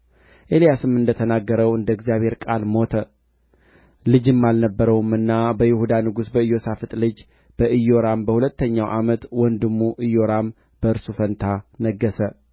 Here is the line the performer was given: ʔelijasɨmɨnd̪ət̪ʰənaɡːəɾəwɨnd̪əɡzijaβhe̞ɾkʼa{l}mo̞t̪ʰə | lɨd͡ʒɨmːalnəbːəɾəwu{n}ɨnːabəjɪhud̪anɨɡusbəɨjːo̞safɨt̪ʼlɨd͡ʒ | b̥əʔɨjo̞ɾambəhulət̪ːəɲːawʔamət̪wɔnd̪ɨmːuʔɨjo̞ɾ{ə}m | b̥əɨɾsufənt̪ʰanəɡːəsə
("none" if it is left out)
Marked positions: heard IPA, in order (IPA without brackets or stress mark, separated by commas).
l, m, a